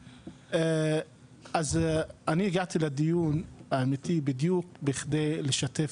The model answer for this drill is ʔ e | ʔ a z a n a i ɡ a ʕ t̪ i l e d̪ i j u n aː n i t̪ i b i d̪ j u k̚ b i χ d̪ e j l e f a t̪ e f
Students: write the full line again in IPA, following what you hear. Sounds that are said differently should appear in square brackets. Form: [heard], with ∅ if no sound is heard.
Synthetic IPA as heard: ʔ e | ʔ a z a n [i] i ɡ a ʕ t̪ i l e d̪ i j u n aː [m] i t̪ i b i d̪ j u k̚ b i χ d̪ e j l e [ʃ] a t̪ e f